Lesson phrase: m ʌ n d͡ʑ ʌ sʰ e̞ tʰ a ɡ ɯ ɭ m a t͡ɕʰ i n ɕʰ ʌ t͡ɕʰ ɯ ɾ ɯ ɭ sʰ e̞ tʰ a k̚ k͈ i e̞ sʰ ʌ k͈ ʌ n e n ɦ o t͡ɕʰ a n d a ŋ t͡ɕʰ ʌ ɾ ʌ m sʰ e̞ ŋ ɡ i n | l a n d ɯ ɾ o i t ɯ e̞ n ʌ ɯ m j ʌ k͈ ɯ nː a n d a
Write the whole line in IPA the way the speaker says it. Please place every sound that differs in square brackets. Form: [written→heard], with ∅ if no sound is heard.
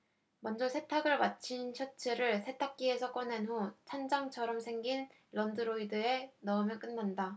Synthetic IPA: m ʌ n d͡ʑ ʌ sʰ e̞ tʰ a ɡ ɯ ɭ m a t͡ɕʰ i n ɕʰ ʌ t͡ɕʰ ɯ ɾ ɯ ɭ sʰ e̞ tʰ a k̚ k͈ i e̞ sʰ ʌ k͈ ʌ n e n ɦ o t͡ɕʰ a n [d→d͡ʑ] a ŋ t͡ɕʰ ʌ ɾ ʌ m sʰ e̞ ŋ ɡ i n | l [a→ʌ] n d ɯ ɾ o i [t→d] ɯ e̞ n ʌ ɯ m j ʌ k͈ ɯ nː a n d a

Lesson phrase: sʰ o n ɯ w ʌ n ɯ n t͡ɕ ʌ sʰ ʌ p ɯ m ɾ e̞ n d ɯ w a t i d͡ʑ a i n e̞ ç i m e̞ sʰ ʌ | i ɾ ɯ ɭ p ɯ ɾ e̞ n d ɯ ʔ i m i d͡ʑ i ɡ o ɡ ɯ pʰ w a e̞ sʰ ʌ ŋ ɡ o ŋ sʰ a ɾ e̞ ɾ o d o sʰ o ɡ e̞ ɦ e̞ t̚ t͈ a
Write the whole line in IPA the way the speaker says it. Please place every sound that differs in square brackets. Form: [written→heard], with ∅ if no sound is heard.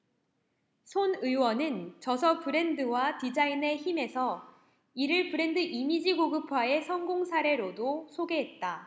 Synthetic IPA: sʰ o n ɯ w ʌ n ɯ n t͡ɕ ʌ sʰ ʌ p ɯ [m→∅] ɾ e̞ n d ɯ w a t i d͡ʑ a i n e̞ ç i m e̞ sʰ ʌ | i ɾ ɯ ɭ p ɯ ɾ e̞ n d ɯ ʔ i m i d͡ʑ i ɡ o ɡ ɯ pʰ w a e̞ sʰ ʌ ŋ ɡ o ŋ sʰ a ɾ e̞ ɾ o d o sʰ o ɡ e̞ ɦ e̞ t̚ t͈ a

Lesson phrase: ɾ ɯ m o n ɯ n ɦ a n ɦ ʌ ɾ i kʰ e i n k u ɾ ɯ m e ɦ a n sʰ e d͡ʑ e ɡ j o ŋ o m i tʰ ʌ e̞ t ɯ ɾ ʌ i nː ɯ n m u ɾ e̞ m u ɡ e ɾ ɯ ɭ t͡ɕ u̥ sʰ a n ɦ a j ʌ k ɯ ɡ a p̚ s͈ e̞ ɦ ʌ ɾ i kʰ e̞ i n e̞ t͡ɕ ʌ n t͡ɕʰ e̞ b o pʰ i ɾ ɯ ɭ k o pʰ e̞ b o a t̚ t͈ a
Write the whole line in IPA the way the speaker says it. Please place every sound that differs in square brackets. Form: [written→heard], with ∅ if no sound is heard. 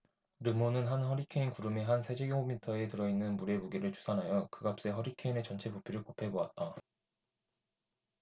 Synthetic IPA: ɾ ɯ m o n ɯ n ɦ a n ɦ ʌ ɾ i kʰ e i n k u ɾ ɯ m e ɦ a n sʰ e d͡ʑ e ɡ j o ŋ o m i tʰ ʌ e̞ t ɯ ɾ ʌ i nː ɯ n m u ɾ e̞ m u ɡ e ɾ ɯ ɭ t͡ɕ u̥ sʰ a n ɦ a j ʌ k ɯ ɡ a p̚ s͈ e̞ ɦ ʌ ɾ i kʰ e̞ i n e̞ t͡ɕ ʌ n t͡ɕʰ e̞ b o pʰ i ɾ ɯ ɭ k o pʰ e̞ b o a t̚ t͈ a

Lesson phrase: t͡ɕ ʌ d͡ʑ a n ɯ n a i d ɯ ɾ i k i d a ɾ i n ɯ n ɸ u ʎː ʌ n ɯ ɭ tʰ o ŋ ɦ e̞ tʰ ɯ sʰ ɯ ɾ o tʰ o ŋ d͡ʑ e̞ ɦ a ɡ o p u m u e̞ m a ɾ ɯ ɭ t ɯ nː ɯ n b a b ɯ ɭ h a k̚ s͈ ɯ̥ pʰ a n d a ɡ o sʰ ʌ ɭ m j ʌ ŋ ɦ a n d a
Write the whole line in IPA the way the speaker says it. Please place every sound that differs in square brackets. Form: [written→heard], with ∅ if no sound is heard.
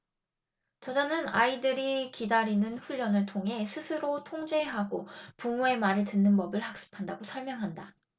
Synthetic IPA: t͡ɕ ʌ d͡ʑ a n ɯ n a i d ɯ ɾ i k i d a ɾ i n ɯ n ɸ u ʎː ʌ n ɯ ɭ tʰ o ŋ ɦ e̞ [tʰ→sʰ] ɯ sʰ ɯ ɾ o tʰ o ŋ d͡ʑ e̞ ɦ a ɡ o p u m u e̞ m a ɾ ɯ ɭ t ɯ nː ɯ n b [a→ʌ] b ɯ ɭ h a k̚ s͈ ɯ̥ pʰ a n d a ɡ o sʰ ʌ ɭ m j ʌ ŋ ɦ a n d a

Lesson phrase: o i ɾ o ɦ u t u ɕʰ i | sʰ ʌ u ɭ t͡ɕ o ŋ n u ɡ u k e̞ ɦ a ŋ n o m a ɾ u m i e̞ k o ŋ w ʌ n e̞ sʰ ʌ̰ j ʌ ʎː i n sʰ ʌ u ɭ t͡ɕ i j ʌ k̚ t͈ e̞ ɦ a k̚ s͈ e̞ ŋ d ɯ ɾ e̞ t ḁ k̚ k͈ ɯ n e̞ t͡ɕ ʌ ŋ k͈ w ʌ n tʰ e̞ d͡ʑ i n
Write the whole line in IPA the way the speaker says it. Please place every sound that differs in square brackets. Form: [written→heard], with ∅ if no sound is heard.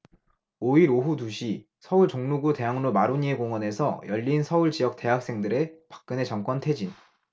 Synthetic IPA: o i ɾ o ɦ u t u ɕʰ i | sʰ ʌ u ɭ t͡ɕ o ŋ n u ɡ u [k→t] e̞ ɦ a ŋ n o m a ɾ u [m→ɲ] i e̞ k o ŋ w ʌ n e̞ sʰ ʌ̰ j ʌ ʎː i n sʰ ʌ u ɭ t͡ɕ i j ʌ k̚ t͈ e̞ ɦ a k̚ s͈ e̞ ŋ d ɯ ɾ e̞ [t→p] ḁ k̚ k͈ ɯ n e̞ t͡ɕ ʌ ŋ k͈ w ʌ n tʰ e̞ d͡ʑ i n

